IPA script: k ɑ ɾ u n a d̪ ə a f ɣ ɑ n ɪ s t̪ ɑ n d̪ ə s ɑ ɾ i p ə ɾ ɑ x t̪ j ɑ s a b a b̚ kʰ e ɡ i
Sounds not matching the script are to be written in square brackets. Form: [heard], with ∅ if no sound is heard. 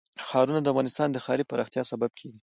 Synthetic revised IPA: [x] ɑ ɾ u n a d̪ ə a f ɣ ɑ n ɪ s t̪ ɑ n d̪ ə [x] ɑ ɾ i p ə ɾ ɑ x t̪ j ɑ s a b a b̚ kʰ e ɡ i

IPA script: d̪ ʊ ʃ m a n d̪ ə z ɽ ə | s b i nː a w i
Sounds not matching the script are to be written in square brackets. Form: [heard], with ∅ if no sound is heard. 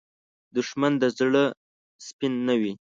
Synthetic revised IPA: d̪ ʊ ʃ m a n d̪ ə z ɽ ə | s [p] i nː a w i

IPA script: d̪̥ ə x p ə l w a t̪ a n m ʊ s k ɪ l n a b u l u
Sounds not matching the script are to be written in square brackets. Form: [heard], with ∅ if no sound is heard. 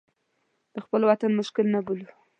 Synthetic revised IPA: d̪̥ ə x p ə l w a t̪ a n m ʊ [ʃ] k ɪ l n a b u l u

